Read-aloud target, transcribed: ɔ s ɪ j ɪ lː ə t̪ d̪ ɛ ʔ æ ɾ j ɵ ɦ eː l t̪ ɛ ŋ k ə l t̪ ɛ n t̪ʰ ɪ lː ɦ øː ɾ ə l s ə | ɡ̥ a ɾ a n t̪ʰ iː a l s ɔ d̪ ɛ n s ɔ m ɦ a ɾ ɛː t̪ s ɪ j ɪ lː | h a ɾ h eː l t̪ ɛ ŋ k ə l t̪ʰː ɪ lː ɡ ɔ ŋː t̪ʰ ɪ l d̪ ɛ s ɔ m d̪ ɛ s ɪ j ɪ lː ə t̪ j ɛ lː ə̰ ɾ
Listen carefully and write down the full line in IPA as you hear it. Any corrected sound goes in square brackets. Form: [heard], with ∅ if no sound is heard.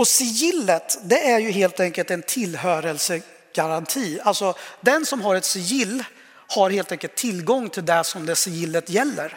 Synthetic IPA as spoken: ɔ s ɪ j ɪ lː ə t̪ d̪ ɛ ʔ æ ɾ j ɵ ɦ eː l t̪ ɛ ŋ k ə l t̪ ɛ n t̪ʰ ɪ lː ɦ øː ɾ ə l s ə | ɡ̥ a ɾ a n t̪ʰ iː a l s ɔ d̪ ɛ n s ɔ m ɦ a ɾ [ɛ] t̪ s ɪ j ɪ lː | h a ɾ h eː l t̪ ɛ ŋ k ə l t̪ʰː ɪ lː ɡ ɔ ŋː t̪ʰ ɪ l d̪ ɛ s ɔ m d̪ ɛ s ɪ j ɪ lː ə t̪ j ɛ lː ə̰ ɾ